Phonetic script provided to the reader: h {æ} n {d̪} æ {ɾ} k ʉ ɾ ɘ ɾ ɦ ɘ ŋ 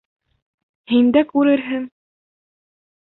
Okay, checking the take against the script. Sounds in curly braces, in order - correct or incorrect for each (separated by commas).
incorrect, correct, incorrect